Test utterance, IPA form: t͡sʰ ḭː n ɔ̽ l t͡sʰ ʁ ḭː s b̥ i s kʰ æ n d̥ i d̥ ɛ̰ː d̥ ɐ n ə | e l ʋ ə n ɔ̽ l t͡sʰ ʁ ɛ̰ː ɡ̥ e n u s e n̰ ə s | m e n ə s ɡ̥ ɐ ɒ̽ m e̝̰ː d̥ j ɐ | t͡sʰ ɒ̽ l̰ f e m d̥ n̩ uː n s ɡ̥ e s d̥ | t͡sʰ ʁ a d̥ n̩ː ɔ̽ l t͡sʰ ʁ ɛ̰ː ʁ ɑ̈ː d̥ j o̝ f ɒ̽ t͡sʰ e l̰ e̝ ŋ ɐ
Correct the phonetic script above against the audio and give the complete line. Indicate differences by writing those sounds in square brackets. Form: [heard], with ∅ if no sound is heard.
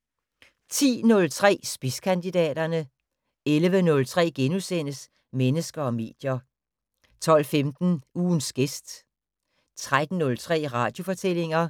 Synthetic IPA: t͡sʰ ḭː n ɔ̽ l t͡sʰ ʁ [ɛ̰ː] s b̥ i s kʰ æ n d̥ i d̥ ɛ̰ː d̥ ɐ n ə | e l ʋ ə n ɔ̽ l t͡sʰ ʁ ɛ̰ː ɡ̥ e n u s e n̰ ə s | m e n ə s ɡ̥ ɐ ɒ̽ m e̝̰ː d̥ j ɐ | t͡sʰ ɒ̽ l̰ f e m d̥ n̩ uː n s ɡ̥ e s d̥ | t͡sʰ ʁ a d̥ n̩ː ɔ̽ l t͡sʰ ʁ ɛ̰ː ʁ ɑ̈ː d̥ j o̝ f ɒ̽ t͡sʰ e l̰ e̝ ŋ ɐ